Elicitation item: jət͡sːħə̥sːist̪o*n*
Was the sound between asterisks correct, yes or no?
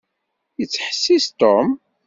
no